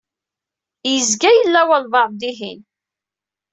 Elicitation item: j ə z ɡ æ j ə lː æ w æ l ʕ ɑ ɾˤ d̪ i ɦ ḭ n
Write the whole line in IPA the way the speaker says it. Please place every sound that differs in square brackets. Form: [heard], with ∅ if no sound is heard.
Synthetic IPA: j ə z ɡ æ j ə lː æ w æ l [v] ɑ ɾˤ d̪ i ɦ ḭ n